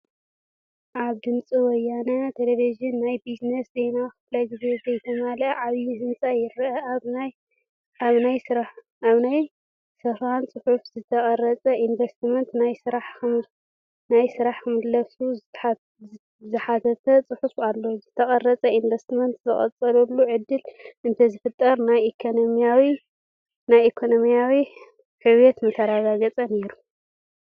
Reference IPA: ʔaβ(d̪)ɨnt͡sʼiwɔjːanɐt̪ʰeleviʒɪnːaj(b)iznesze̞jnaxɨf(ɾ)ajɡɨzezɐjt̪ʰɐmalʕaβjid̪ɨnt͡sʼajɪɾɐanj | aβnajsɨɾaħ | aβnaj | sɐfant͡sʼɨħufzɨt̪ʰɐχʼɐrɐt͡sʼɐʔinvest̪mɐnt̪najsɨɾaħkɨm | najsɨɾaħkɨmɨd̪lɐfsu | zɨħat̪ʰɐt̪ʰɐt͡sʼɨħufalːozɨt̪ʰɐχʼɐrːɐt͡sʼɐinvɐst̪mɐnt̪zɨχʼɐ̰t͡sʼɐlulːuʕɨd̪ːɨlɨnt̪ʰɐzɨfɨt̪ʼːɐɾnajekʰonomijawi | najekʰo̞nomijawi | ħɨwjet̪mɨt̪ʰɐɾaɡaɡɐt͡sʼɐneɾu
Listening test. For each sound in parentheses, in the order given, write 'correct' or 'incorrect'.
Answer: correct, correct, incorrect

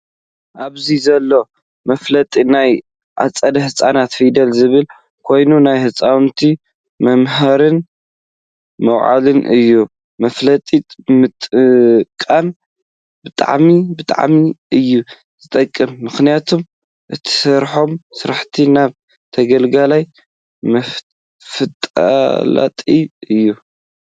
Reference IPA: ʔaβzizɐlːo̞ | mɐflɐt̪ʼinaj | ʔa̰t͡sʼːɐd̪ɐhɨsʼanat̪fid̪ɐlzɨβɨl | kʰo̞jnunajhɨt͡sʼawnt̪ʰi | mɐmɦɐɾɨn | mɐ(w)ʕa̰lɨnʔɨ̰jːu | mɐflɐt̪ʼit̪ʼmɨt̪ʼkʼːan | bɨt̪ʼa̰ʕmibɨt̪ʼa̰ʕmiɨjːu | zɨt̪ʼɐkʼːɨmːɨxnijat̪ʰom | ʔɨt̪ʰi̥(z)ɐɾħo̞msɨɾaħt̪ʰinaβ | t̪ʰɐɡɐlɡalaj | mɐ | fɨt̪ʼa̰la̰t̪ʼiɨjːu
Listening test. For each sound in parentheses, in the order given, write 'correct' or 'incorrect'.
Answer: correct, incorrect

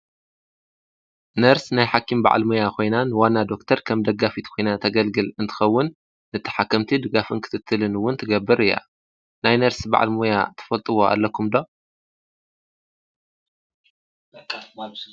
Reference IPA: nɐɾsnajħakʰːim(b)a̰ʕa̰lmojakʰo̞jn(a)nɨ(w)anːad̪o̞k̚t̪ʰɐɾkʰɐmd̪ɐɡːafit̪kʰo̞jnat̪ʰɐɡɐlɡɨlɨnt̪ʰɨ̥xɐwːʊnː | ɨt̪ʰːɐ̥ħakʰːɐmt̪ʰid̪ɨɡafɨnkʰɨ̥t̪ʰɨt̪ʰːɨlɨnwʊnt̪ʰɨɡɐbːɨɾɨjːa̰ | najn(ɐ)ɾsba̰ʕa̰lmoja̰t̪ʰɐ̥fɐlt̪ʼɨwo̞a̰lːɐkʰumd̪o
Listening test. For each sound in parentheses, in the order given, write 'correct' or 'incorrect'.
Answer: correct, correct, correct, correct

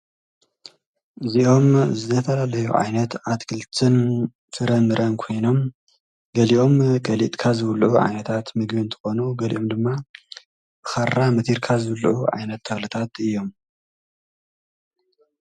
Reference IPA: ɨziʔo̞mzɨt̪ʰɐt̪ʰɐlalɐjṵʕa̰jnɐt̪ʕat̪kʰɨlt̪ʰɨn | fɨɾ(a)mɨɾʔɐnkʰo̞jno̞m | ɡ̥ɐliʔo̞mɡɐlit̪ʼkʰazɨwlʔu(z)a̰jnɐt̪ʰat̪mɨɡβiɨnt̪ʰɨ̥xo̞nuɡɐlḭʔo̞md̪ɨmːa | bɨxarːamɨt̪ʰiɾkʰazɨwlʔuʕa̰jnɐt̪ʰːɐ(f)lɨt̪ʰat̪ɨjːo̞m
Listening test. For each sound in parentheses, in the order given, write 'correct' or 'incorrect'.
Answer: incorrect, incorrect, incorrect

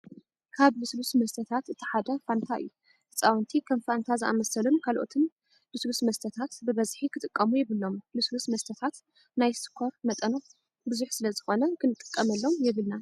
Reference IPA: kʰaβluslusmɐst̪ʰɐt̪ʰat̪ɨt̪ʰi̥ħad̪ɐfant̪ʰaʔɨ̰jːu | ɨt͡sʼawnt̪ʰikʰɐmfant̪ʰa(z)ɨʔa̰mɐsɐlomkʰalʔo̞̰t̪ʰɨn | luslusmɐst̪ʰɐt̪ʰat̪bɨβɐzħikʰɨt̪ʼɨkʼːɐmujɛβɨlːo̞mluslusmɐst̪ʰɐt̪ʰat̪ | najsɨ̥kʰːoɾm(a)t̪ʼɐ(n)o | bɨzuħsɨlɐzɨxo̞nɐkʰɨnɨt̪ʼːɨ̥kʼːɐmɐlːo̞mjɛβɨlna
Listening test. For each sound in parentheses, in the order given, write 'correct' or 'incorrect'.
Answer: correct, incorrect, correct

